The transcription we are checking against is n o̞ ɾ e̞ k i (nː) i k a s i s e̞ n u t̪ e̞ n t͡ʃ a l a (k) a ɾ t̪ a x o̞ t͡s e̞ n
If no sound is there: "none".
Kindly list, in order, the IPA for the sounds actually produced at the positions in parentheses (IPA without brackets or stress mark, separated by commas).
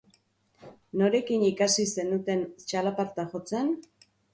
n, p